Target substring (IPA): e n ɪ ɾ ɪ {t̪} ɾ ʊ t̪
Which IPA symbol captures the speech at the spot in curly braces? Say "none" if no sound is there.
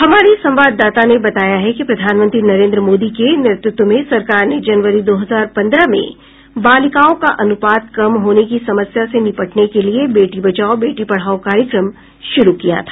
t̪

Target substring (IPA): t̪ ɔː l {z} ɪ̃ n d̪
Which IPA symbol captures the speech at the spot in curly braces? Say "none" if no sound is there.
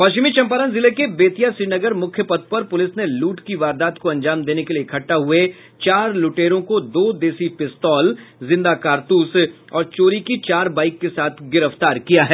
z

